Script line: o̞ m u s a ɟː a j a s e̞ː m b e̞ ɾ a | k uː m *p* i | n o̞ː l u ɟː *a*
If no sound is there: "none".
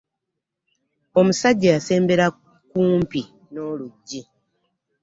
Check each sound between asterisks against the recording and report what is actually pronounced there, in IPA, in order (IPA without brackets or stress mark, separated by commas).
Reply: p, i